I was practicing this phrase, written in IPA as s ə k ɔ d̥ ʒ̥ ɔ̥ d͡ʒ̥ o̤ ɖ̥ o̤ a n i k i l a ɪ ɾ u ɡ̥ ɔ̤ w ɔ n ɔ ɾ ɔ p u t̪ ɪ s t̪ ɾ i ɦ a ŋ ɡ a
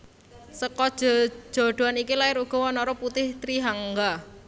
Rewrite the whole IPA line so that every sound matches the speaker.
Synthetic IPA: s ə k ɔ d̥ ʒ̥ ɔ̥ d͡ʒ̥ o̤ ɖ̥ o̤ a n i k i l a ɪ ɾ u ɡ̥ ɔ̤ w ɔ n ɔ ɾ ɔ p u t̪ ɪ h t̪ ɾ i ɦ a ŋ ɡ a

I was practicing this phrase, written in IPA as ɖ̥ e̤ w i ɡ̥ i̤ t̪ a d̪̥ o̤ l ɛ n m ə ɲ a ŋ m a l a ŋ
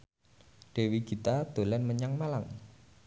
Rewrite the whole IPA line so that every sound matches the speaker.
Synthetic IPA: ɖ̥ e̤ w i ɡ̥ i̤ t̪ a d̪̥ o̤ l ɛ n m ə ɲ a ŋ m a l a ŋ

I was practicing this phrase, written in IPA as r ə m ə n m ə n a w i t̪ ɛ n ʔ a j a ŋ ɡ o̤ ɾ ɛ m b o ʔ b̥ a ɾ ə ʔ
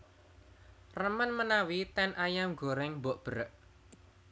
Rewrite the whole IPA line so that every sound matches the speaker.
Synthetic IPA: r ə m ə n m ə n a w i t̪ ɛ n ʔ a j a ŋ ɡ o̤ ɾ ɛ ŋ b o ʔ b̥ ə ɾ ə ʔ

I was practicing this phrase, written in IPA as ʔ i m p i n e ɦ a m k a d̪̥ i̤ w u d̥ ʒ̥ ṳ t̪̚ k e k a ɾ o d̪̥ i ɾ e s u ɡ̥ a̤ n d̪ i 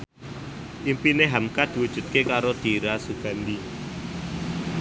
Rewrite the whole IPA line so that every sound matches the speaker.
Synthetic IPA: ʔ i m p i n e ɦ a m k a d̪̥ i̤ w u d̥ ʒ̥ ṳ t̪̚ k e k a ɾ o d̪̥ i ɾ a s u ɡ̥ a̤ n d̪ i

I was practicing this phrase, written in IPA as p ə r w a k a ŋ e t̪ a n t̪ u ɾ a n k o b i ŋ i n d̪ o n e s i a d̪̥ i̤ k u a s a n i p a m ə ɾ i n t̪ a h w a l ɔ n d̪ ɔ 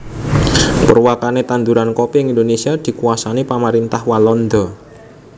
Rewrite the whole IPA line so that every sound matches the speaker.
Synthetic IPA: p ə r w a k a n e t̪ a n d̪ u ɾ a n k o p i ŋ i n d̪ o n e s i a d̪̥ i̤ k u a s a n i p a m a ɾ i n t̪ a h w a l ɔ n d̪ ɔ

